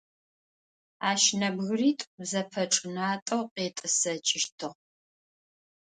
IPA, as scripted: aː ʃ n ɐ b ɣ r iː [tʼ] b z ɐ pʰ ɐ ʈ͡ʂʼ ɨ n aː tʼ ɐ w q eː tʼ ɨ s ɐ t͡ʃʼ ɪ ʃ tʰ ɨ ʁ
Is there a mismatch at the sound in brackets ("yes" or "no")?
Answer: no